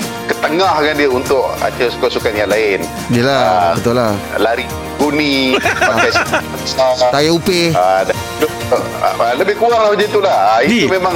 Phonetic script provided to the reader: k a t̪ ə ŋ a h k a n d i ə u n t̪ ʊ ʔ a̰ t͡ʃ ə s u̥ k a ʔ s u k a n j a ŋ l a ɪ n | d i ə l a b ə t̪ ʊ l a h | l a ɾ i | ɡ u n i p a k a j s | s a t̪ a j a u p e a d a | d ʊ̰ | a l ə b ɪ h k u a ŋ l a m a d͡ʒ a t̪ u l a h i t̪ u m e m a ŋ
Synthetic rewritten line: k ə t̪ ə ŋ a h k a n d i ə u n t̪ ʊ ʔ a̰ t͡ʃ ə s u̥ k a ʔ s u k a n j a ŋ l a ɪ n | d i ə l a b ə t̪ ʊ l a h | l a ɾ i | ɡ u n i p a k a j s | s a t̪ a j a u p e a d a | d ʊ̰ | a l ə b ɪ h k u a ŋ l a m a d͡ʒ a t̪ u l a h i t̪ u m e m a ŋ